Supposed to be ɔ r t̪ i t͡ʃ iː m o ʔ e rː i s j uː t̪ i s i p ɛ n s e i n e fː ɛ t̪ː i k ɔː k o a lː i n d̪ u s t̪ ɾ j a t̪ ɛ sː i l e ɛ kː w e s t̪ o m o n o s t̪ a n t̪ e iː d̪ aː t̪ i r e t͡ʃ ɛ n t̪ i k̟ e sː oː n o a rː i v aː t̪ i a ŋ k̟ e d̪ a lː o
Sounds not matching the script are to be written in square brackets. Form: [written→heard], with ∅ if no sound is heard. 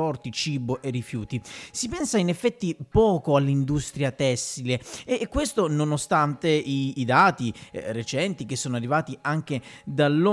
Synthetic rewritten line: ɔ r t̪ i t͡ʃ iː [m→b] o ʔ e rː i [s→f] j uː t̪ i s i p ɛ n s [e→a] i n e fː ɛ t̪ː i [k→p] ɔː k o a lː i n d̪ u s t̪ ɾ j a t̪ ɛ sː i l e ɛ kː w e s t̪ o [m→n] o n o s t̪ a n t̪ e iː d̪ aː t̪ i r e t͡ʃ ɛ n t̪ i k̟ e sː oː n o a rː i v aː t̪ i a ŋ k̟ e d̪ a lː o